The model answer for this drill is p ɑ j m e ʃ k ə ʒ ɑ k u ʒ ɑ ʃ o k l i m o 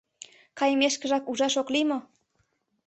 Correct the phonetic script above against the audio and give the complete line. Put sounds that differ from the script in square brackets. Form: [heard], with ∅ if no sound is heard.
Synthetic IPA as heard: [k] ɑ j m e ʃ k ə ʒ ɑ k u ʒ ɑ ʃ o k l i m o